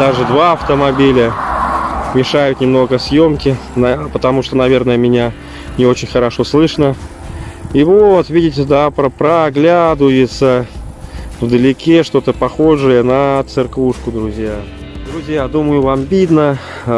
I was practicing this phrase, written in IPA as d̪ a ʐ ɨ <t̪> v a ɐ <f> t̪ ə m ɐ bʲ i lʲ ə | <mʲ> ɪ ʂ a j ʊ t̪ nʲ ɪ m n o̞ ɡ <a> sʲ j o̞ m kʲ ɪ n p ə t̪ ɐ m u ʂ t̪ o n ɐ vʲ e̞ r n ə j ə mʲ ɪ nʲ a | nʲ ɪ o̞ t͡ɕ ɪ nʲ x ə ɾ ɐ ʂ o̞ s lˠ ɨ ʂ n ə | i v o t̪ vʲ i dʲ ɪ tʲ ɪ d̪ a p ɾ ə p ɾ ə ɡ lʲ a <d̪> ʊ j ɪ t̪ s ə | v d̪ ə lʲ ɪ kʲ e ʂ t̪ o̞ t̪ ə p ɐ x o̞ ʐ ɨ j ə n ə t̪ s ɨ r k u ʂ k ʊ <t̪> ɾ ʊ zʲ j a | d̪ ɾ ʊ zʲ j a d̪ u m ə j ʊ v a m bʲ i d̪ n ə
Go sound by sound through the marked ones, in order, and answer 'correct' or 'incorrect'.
incorrect: d̪, correct, correct, incorrect: ə, correct, incorrect: d̪

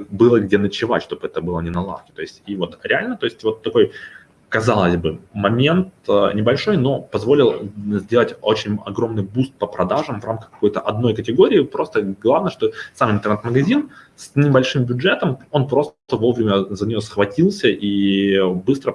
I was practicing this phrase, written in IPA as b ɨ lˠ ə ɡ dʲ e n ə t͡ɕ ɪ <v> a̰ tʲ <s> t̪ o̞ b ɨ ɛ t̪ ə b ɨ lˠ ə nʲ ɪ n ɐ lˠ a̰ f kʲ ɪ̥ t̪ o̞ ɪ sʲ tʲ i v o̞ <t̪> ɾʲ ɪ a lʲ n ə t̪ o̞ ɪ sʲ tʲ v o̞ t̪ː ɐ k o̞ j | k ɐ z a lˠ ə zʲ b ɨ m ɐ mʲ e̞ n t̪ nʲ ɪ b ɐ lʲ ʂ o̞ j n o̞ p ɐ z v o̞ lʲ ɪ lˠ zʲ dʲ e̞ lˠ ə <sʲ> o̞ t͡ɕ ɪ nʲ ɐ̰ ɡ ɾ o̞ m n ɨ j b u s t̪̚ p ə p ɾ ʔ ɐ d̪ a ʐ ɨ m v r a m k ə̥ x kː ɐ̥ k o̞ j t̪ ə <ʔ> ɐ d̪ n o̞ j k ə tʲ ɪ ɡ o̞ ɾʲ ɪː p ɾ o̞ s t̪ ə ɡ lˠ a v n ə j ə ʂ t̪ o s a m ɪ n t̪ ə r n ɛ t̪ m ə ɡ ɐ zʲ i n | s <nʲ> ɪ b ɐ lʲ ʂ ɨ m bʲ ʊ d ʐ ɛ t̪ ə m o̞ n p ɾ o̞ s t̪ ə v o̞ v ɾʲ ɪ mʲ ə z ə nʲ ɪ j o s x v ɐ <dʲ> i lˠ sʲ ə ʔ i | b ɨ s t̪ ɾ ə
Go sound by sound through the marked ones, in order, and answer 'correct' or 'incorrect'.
correct, incorrect: ʂ, correct, incorrect: tʲ, correct, correct, incorrect: tʲ

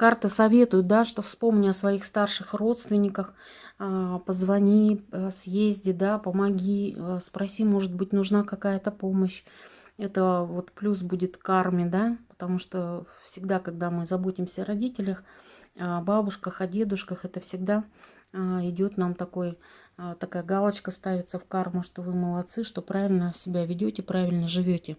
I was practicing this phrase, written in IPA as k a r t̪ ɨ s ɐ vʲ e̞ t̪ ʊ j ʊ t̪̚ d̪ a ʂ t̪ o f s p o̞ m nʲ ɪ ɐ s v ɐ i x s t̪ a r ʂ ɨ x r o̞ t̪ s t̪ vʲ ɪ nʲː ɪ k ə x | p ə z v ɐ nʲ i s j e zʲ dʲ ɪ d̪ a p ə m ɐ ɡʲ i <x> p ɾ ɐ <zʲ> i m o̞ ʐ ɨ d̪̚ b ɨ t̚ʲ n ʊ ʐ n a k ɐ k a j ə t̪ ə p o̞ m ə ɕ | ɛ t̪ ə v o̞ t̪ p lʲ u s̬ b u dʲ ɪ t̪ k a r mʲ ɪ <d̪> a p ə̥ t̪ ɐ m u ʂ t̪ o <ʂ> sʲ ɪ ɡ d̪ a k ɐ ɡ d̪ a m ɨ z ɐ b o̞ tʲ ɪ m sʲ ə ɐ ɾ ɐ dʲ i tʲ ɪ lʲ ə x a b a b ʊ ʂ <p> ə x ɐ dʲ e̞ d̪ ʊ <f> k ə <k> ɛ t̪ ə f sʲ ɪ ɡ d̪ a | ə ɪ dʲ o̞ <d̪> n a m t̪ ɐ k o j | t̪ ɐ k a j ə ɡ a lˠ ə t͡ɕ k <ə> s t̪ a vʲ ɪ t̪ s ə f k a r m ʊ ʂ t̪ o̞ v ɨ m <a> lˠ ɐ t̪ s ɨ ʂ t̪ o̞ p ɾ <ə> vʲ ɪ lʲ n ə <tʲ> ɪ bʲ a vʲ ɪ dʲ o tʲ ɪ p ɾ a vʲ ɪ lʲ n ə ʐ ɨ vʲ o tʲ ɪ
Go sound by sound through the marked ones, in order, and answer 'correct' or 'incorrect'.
incorrect: s, incorrect: sʲ, correct, incorrect: f, incorrect: k, incorrect: ʂ, incorrect: x, incorrect: t̪, correct, incorrect: ə, incorrect: a, incorrect: sʲ

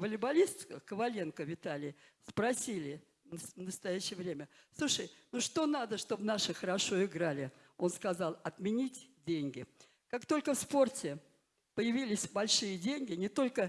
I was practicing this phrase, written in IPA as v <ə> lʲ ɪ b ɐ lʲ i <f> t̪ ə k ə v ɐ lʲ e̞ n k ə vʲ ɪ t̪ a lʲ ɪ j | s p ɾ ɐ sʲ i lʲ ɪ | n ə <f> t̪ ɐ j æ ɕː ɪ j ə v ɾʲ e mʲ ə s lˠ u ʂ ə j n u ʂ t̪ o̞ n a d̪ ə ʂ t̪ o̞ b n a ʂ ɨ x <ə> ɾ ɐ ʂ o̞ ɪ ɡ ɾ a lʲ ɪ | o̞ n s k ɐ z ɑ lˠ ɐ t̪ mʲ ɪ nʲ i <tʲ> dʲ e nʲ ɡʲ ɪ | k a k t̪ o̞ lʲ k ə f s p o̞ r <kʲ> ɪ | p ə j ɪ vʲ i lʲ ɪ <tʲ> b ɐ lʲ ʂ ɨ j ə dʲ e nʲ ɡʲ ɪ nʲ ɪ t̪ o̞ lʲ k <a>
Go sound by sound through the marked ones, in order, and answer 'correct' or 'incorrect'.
correct, incorrect: s, incorrect: s, correct, correct, incorrect: tʲ, incorrect: sʲ, incorrect: ə

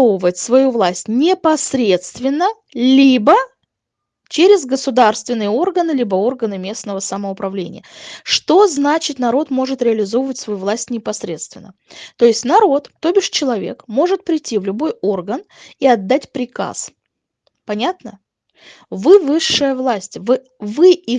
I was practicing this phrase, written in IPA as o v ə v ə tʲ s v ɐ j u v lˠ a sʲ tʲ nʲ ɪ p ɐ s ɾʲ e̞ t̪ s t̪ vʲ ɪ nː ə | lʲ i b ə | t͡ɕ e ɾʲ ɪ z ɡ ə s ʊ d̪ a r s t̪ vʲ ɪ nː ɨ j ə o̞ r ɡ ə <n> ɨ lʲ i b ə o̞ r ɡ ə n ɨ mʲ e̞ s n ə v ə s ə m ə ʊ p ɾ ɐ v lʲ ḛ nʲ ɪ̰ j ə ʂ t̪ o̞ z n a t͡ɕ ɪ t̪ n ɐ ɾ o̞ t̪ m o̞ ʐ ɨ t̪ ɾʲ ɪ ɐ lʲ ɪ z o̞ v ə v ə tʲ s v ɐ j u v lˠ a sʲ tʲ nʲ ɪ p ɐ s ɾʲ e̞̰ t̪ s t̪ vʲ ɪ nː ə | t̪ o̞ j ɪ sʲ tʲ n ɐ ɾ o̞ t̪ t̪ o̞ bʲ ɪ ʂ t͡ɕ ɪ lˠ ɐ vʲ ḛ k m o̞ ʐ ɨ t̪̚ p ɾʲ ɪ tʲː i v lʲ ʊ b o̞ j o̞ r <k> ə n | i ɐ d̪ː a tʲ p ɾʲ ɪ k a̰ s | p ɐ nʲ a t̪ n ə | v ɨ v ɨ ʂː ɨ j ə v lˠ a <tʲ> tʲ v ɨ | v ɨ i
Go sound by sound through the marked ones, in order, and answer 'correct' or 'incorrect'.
correct, incorrect: ɡ, incorrect: sʲ

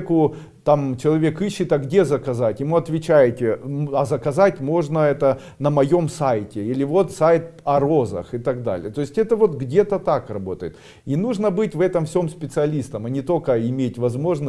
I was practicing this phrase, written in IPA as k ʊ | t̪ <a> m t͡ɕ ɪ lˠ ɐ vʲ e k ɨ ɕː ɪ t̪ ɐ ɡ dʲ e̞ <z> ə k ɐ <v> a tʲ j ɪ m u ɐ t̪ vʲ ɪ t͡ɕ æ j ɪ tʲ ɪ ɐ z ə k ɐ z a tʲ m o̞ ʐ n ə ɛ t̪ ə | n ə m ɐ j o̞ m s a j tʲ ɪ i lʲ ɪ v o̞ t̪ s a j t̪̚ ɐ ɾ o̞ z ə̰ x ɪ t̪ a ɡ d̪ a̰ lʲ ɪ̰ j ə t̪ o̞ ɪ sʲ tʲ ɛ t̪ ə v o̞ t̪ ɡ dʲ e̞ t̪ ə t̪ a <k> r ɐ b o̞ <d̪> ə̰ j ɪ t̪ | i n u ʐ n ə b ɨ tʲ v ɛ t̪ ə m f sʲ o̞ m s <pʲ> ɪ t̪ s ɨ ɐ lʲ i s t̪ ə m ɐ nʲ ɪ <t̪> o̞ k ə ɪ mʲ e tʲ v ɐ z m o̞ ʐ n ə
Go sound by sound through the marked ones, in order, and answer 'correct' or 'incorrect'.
correct, correct, incorrect: z, correct, incorrect: t̪, correct, correct

